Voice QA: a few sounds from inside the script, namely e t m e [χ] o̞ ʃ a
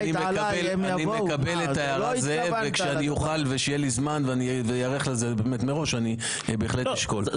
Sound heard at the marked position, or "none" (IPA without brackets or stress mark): ʁ